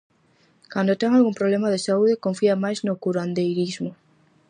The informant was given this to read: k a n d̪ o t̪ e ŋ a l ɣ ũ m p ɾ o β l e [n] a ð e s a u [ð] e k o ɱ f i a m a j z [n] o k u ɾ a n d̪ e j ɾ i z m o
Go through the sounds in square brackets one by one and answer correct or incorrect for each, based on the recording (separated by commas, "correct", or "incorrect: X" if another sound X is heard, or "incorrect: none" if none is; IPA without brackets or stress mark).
incorrect: m, correct, correct